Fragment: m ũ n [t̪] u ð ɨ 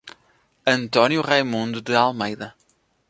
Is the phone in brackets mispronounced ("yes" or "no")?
yes